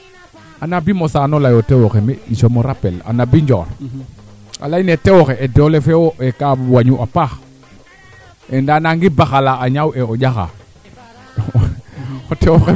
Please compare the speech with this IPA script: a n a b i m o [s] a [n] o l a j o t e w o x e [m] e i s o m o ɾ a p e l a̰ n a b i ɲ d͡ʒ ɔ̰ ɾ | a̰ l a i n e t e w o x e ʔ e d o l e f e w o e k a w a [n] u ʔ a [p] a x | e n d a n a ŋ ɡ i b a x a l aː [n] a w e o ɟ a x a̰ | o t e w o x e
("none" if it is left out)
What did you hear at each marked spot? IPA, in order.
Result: s, n, m, ɲ, p, ɲ

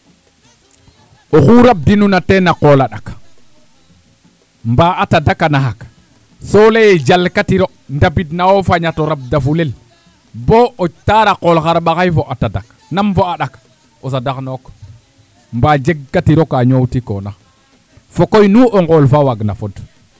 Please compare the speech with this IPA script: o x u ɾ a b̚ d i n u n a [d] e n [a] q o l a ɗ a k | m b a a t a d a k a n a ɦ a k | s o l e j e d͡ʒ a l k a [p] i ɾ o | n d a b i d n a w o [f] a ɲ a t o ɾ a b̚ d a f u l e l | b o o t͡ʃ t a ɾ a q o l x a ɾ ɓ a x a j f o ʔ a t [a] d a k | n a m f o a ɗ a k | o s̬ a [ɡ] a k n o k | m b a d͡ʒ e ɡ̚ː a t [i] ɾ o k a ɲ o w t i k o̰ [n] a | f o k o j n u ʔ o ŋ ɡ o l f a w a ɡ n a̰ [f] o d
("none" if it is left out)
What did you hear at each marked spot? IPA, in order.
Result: t, a, t, f, a, d, i, n, f

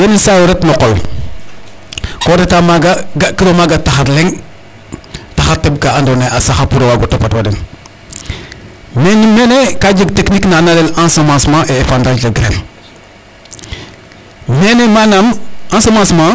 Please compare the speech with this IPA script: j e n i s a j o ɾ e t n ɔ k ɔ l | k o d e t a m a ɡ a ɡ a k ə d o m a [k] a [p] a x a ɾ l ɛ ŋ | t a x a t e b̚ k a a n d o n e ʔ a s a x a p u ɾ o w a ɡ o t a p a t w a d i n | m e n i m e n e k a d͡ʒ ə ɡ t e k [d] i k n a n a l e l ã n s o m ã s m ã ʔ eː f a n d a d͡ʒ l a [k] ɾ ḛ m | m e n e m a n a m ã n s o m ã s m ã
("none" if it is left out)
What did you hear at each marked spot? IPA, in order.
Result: ɡ, t, n, ɡ

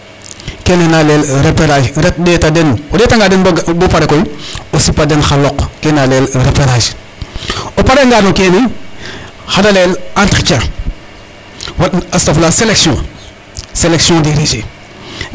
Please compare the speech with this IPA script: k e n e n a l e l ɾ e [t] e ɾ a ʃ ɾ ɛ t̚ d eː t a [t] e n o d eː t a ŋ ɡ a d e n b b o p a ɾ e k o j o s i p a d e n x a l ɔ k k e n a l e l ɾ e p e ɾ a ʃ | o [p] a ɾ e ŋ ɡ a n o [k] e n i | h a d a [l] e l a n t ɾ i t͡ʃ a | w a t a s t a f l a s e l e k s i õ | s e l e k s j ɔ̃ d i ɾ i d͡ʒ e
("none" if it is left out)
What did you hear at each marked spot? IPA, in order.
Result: p, d, p, k, l

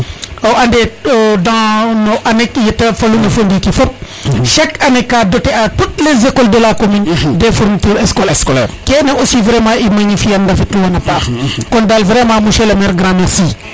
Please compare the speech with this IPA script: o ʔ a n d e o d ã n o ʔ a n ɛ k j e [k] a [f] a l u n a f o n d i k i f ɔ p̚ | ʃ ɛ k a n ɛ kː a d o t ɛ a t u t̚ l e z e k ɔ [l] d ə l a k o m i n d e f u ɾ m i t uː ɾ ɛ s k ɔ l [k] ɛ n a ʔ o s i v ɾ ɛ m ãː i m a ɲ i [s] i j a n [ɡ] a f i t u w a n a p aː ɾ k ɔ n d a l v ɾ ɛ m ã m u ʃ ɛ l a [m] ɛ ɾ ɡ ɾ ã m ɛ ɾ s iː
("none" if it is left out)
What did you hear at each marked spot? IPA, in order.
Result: t, f, l, k, f, d, m

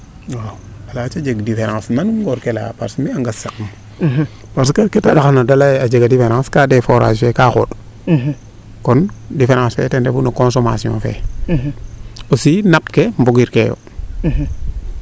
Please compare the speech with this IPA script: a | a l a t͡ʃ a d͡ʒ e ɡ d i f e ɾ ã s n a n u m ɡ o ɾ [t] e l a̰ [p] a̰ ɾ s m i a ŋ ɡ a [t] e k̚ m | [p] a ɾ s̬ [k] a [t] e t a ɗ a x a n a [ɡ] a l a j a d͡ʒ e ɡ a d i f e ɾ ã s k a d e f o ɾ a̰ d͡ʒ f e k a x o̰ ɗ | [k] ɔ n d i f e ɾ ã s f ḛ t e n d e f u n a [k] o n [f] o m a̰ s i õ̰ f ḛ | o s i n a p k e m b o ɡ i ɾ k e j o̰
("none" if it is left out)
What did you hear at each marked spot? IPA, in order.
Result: k, p, s, p, k, k, d, k, k, s

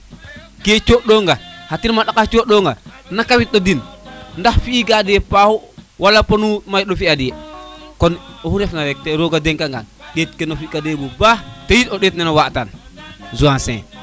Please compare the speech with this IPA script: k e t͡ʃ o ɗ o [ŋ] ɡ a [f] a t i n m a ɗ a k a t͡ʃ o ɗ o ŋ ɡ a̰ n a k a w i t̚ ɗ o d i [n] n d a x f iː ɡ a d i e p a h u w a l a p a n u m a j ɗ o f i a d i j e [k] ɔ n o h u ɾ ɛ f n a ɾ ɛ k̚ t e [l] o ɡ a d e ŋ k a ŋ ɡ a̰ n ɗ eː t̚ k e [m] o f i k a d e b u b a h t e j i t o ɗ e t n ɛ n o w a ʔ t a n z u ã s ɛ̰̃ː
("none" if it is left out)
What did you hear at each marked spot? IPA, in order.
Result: ŋ, h, n, k, ɾ, n

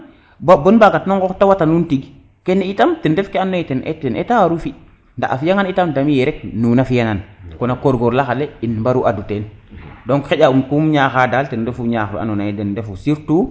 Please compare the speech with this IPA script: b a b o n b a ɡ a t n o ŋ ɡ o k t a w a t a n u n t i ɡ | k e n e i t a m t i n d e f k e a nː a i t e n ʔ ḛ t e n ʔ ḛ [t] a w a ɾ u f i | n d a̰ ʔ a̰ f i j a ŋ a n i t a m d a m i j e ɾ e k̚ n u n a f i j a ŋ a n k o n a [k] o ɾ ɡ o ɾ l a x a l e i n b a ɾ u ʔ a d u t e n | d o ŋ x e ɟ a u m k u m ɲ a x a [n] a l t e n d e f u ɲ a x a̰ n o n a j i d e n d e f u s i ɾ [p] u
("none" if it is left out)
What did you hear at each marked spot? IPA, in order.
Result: t, k, d, t

